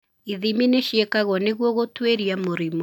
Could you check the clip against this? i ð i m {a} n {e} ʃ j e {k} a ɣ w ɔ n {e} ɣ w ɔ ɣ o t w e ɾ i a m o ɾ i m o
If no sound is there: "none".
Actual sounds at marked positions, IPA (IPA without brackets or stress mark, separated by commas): i, e, k, e